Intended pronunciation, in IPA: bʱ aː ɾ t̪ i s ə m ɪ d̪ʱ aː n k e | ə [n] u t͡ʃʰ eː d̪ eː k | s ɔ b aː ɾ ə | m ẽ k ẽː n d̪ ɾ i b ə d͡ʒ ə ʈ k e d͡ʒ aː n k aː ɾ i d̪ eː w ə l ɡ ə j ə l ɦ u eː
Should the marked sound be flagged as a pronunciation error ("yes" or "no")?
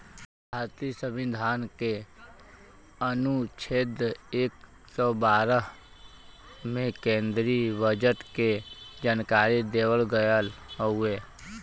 no